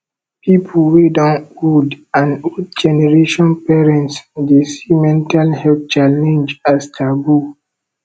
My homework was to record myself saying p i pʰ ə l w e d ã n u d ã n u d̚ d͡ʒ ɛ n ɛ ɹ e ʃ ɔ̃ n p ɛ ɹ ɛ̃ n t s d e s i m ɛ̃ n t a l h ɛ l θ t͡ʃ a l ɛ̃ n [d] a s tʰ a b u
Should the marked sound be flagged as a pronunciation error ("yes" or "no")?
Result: yes